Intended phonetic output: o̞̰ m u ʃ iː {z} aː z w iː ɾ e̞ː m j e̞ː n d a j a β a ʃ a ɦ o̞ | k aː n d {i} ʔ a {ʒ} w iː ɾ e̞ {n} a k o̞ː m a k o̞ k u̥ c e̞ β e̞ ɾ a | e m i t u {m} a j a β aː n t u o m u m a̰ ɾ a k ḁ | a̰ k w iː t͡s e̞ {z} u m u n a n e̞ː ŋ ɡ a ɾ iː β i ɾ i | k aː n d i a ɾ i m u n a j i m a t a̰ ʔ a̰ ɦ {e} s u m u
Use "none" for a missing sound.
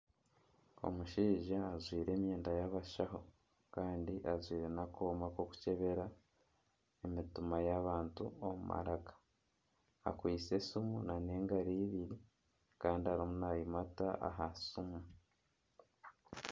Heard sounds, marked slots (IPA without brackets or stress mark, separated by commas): ʒ, i, z, n, m, s, a